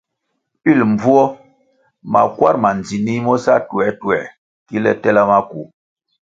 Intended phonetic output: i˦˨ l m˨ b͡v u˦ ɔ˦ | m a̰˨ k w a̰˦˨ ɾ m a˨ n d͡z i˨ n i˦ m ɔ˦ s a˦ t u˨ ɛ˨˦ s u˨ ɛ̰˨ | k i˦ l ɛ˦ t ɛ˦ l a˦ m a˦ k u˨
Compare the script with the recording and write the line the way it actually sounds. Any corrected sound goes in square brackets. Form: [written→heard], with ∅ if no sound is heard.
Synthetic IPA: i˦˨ l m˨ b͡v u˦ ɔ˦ | m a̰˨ k w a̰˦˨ ɾ m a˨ n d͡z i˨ n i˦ m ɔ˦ s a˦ t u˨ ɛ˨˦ [s→t] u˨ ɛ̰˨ | k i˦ l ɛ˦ t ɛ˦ l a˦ m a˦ k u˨